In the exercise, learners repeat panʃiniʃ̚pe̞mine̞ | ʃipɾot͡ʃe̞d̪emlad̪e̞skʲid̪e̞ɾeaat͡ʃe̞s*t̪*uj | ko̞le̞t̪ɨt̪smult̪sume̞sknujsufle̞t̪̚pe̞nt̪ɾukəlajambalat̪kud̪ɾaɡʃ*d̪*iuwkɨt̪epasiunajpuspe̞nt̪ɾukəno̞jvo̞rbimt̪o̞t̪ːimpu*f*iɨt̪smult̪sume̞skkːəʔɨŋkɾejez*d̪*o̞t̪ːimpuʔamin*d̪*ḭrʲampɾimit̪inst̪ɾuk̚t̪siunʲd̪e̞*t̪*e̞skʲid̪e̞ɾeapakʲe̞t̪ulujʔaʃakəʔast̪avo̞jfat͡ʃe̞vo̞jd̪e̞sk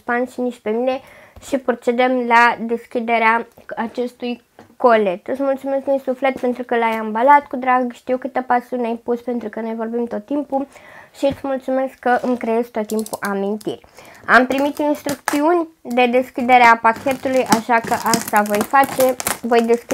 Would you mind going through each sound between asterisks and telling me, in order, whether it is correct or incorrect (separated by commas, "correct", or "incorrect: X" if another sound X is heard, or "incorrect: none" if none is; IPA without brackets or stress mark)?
correct, incorrect: t̪, incorrect: ʃ, incorrect: t̪, incorrect: t̪, incorrect: d̪